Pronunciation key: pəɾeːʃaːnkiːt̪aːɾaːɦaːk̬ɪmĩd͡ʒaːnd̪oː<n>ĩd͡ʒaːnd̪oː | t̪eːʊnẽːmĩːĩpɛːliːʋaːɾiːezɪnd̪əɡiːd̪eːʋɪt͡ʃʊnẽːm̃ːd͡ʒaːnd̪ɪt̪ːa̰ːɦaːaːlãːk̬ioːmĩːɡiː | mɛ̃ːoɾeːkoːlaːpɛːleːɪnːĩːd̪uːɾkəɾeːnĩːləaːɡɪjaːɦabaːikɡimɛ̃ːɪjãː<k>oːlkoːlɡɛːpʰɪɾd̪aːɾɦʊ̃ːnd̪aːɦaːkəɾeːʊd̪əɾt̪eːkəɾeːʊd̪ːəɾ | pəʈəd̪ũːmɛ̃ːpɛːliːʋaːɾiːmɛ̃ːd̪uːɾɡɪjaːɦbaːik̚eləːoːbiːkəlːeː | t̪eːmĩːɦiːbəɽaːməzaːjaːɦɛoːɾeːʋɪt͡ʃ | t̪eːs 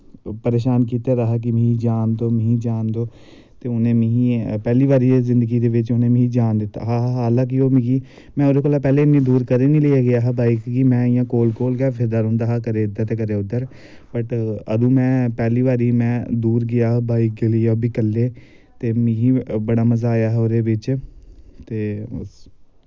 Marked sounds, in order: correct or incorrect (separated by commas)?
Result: incorrect, correct